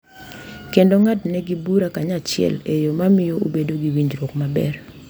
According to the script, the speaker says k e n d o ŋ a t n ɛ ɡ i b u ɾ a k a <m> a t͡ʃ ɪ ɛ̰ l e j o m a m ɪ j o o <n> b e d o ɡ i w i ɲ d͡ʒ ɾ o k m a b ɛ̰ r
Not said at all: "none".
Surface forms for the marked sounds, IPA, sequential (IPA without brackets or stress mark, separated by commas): ɲ, none